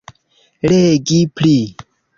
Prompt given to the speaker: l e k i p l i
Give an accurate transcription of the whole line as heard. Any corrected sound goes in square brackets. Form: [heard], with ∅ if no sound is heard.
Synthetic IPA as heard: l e [ɡ] i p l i